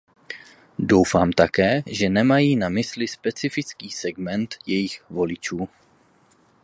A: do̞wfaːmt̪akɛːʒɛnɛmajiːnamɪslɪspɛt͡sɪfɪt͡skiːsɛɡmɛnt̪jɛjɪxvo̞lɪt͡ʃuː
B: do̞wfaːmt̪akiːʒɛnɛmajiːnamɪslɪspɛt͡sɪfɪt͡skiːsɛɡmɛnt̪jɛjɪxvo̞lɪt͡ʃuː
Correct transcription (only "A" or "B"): A